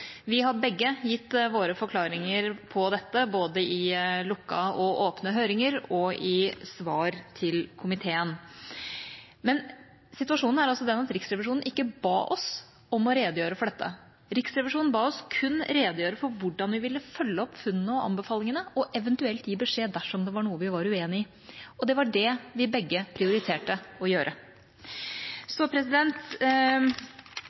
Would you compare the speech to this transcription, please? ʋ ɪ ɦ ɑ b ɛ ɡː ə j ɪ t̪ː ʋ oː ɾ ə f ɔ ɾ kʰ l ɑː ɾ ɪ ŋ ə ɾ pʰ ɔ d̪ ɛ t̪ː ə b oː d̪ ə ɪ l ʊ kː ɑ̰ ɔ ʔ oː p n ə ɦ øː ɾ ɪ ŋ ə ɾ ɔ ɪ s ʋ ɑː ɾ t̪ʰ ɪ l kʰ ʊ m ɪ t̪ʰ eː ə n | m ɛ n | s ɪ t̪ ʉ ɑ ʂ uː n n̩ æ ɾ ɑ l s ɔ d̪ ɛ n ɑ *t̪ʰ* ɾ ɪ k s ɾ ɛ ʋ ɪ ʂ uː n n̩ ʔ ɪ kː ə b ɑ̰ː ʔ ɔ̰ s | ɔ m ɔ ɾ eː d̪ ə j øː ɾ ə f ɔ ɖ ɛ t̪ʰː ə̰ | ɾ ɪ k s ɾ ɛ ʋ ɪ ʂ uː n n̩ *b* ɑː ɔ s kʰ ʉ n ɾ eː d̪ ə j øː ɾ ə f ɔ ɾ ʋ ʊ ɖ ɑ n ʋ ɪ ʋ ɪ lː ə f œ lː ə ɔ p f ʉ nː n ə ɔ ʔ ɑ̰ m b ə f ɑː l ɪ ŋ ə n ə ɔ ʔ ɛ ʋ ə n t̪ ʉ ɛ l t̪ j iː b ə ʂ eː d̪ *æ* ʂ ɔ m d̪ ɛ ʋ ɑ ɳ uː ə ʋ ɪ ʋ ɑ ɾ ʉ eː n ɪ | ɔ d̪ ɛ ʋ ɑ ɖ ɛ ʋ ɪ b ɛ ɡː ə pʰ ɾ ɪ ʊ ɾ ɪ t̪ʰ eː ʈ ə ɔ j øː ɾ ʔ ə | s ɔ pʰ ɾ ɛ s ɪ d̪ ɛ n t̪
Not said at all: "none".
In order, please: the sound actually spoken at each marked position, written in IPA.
t̪, b, æ

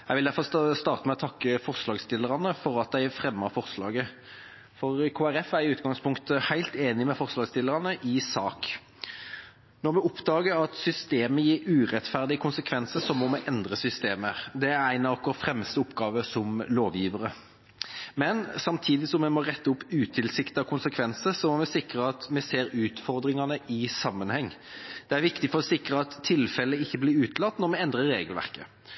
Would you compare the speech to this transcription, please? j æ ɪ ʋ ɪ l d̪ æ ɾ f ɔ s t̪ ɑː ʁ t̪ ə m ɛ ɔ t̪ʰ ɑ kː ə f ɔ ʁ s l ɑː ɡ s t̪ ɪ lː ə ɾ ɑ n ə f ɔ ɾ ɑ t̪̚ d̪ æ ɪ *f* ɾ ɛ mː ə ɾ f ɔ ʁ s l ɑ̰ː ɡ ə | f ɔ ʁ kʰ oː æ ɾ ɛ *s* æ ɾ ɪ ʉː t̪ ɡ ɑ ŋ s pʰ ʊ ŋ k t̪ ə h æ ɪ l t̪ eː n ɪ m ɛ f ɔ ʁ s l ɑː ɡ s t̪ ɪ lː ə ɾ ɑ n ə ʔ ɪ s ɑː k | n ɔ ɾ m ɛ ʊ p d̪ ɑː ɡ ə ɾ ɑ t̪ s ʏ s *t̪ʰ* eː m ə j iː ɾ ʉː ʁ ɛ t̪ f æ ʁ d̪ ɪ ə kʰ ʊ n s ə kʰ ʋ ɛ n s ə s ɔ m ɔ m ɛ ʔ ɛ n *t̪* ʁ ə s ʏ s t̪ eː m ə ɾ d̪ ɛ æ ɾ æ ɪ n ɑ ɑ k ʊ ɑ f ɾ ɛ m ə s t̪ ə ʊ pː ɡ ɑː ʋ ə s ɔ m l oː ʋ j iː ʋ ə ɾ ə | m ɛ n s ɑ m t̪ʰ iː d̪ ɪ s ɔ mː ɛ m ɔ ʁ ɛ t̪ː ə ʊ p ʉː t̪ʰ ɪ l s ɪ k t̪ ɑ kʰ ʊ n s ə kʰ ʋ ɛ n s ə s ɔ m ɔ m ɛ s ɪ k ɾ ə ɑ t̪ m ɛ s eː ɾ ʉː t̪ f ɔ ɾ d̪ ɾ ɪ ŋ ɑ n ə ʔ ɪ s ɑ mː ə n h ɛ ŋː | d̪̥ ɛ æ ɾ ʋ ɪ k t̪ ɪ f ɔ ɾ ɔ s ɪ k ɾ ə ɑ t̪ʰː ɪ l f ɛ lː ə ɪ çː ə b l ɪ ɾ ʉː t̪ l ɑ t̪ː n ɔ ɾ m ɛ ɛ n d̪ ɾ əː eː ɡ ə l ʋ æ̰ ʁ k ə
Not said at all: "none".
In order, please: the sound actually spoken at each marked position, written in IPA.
f, f, t̪, d̪

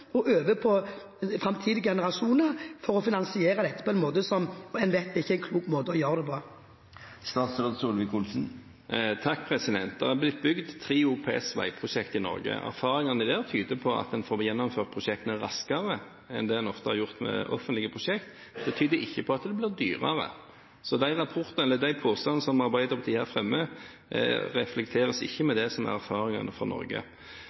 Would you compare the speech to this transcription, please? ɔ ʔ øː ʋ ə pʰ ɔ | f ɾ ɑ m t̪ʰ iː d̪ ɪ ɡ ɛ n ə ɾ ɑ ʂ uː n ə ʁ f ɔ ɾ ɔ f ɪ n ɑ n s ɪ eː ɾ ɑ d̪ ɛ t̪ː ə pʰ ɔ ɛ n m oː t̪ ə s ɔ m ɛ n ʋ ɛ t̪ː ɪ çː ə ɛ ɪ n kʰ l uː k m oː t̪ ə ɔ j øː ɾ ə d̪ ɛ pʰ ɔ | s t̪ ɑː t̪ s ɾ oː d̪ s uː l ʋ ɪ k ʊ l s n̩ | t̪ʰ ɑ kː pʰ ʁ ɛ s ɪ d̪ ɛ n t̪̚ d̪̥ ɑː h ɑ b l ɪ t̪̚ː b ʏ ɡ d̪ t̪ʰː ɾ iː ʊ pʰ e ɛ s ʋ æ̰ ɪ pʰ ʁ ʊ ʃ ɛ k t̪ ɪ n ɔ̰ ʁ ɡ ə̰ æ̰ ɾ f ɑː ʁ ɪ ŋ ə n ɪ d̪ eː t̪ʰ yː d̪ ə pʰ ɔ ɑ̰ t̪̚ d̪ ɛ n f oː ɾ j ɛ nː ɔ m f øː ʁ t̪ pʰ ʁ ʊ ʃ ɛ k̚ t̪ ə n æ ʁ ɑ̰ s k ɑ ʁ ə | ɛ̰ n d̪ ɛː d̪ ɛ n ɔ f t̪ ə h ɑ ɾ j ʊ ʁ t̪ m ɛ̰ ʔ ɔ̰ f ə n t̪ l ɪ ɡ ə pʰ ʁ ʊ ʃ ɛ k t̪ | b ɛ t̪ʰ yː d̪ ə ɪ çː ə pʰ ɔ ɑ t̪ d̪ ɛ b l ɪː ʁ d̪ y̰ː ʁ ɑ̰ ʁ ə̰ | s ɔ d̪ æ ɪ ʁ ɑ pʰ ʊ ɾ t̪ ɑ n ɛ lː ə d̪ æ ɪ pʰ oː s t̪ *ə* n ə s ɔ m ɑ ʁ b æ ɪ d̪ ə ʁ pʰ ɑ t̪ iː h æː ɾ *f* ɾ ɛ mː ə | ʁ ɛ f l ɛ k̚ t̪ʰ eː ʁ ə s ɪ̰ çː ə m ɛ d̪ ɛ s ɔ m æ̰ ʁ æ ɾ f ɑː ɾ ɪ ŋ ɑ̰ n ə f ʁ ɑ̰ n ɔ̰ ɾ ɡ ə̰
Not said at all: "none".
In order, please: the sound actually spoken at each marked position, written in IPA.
ɑ, f

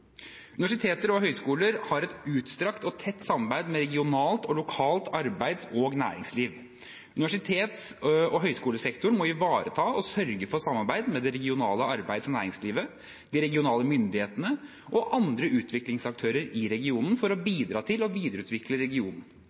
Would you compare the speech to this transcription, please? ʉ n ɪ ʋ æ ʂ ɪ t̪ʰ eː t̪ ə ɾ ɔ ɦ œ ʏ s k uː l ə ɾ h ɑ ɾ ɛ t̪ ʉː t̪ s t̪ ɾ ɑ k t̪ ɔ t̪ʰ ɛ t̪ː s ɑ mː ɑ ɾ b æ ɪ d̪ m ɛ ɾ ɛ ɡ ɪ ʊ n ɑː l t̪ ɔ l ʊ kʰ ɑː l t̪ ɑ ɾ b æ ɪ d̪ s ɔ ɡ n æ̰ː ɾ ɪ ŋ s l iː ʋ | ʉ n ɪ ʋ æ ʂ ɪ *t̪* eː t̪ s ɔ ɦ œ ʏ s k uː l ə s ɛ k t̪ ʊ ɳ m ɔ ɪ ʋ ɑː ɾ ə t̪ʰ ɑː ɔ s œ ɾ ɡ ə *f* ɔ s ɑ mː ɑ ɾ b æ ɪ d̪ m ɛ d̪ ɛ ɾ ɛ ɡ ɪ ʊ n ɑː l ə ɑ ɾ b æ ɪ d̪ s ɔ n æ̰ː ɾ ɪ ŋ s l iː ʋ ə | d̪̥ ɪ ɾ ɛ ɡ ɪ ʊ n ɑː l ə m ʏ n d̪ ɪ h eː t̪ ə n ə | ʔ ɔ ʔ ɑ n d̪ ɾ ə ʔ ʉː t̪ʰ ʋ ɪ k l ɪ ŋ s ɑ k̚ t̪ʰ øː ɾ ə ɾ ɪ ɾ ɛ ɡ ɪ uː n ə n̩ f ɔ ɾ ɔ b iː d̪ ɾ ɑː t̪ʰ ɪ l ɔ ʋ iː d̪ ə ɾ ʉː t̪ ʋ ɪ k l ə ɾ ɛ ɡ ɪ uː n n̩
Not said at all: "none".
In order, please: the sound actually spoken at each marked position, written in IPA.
t̪ʰ, f

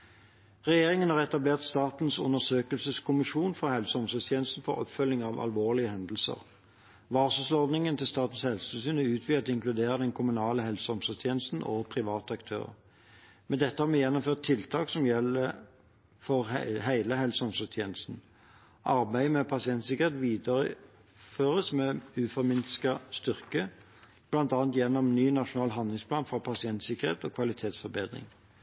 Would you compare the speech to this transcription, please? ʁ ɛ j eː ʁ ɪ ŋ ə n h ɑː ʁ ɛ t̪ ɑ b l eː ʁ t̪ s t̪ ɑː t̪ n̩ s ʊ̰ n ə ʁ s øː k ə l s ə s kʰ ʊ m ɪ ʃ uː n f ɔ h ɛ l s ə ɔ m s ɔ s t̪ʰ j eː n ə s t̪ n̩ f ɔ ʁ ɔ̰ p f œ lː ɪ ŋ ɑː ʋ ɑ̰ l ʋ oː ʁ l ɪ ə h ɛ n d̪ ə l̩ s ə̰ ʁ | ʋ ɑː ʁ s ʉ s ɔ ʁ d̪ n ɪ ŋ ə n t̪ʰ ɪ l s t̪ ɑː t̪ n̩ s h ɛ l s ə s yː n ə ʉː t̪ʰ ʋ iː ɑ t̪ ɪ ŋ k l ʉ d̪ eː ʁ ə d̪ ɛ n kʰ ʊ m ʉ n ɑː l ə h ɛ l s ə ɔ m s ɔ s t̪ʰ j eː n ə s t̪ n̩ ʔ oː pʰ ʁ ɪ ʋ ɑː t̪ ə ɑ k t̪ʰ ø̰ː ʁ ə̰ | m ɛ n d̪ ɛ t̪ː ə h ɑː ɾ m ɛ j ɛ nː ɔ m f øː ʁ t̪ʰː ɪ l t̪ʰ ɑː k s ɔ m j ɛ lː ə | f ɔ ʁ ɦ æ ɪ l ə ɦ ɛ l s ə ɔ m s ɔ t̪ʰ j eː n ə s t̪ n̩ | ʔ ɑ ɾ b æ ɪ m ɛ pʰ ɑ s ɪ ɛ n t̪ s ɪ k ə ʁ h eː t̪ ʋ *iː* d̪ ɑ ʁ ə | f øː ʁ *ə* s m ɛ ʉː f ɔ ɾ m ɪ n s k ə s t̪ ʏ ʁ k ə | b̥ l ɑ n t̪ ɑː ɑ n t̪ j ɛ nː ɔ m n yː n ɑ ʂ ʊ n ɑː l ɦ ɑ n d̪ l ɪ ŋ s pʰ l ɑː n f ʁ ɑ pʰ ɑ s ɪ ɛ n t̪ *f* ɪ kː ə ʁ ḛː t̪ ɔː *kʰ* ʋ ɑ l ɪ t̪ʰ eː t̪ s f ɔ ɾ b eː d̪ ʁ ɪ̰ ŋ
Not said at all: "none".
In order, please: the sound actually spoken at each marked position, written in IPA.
iː, ə, s, kʰ

